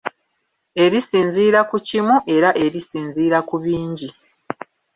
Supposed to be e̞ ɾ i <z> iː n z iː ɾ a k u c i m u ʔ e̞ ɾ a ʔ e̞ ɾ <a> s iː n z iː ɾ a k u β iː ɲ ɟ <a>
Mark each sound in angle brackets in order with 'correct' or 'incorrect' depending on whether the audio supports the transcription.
incorrect: s, incorrect: i, incorrect: i

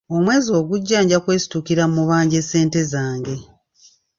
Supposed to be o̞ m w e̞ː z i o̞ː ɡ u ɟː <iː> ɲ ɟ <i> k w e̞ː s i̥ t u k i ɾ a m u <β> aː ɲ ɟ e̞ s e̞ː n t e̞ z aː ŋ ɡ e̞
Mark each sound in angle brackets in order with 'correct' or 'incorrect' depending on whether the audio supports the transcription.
incorrect: aː, incorrect: a, correct

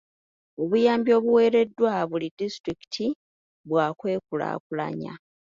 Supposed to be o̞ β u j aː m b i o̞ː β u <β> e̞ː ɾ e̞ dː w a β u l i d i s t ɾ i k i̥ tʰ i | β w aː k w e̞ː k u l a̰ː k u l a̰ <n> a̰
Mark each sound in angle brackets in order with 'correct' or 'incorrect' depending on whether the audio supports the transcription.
incorrect: w, incorrect: ɲ

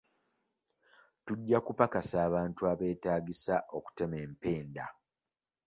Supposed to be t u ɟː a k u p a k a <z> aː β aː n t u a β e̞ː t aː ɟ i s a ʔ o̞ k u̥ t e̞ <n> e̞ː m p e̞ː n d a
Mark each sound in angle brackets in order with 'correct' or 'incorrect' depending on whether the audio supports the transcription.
incorrect: s, incorrect: m

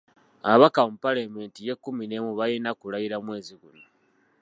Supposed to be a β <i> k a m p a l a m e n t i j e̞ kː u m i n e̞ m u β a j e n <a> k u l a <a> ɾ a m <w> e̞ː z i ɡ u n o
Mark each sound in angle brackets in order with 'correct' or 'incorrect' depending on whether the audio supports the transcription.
incorrect: a, correct, incorrect: i, correct

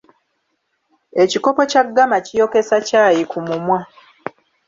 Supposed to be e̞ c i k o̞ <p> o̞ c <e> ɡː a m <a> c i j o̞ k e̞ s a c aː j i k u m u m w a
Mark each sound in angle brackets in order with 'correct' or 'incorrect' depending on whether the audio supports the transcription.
correct, incorrect: a, correct

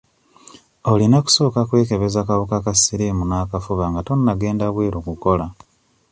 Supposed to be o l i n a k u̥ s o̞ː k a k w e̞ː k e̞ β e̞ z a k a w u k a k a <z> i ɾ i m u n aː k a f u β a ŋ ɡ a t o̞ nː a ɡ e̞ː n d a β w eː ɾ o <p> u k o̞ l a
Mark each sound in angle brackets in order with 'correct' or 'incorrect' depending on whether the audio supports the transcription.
incorrect: s, incorrect: k

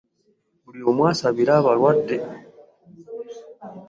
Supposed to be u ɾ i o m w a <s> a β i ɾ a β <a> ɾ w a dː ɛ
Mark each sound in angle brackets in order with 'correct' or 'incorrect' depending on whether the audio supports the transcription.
correct, correct

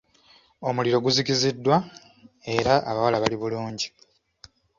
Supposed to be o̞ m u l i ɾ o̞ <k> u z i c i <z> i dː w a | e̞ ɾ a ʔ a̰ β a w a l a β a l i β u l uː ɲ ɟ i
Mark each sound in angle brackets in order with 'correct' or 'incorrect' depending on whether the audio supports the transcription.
incorrect: ɡ, correct

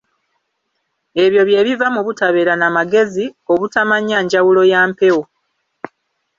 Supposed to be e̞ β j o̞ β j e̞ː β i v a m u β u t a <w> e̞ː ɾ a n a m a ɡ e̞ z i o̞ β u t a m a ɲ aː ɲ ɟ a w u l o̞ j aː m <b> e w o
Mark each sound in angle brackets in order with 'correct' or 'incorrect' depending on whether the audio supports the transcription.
incorrect: β, incorrect: p

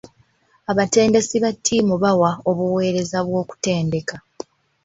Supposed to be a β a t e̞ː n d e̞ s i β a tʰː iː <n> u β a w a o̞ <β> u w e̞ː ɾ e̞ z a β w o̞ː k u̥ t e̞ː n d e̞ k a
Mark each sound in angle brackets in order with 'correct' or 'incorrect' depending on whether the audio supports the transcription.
incorrect: m, correct

